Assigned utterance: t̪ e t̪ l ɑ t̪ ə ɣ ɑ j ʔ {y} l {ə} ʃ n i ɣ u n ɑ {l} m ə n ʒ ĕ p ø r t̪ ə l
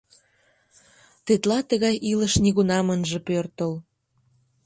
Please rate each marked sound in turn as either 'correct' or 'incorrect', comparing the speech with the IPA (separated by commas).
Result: incorrect, correct, incorrect